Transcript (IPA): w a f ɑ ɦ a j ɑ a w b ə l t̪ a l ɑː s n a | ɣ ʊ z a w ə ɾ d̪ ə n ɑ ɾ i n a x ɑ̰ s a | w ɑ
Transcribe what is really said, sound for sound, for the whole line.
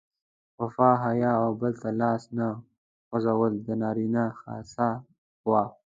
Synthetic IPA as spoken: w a f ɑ ɦ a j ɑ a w b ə l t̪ a l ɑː s n a | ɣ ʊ z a w ə l d̪ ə n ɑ ɾ i n a x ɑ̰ s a | w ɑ